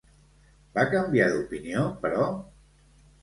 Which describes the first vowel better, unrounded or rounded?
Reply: unrounded